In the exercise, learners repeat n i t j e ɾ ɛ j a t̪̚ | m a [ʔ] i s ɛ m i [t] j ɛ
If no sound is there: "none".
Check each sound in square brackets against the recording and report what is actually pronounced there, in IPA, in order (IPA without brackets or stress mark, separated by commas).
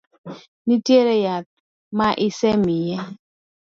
ʔ, none